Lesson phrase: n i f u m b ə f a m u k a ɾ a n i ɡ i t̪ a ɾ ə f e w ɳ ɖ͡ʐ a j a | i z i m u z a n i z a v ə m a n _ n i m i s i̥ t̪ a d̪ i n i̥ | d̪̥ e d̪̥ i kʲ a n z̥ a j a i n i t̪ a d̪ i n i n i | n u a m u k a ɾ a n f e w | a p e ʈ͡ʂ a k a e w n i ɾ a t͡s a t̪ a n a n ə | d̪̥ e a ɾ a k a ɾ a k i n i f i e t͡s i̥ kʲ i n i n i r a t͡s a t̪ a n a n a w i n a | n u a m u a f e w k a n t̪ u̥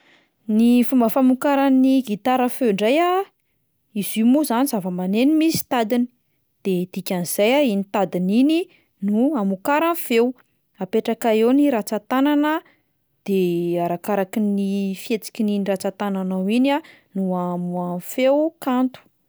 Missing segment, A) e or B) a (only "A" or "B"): A